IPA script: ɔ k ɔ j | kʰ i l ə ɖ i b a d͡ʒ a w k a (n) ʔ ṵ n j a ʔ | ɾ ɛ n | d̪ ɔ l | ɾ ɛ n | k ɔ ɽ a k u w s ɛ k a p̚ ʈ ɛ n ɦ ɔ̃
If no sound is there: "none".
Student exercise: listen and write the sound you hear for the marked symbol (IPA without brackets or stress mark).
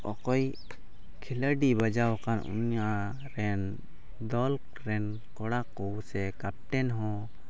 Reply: n